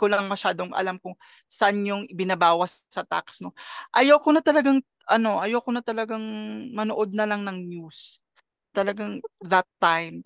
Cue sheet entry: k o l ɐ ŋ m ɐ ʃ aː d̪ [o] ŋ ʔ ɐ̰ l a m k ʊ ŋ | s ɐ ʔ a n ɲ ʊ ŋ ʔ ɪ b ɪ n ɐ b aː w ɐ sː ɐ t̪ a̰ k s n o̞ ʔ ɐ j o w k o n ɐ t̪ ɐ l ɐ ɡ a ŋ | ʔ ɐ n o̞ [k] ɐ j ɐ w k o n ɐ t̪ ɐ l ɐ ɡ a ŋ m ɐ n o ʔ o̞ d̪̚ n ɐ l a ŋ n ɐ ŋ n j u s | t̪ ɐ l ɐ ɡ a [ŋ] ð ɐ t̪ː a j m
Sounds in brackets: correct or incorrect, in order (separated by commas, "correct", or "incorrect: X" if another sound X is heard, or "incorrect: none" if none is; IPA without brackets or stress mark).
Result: correct, incorrect: ʔ, correct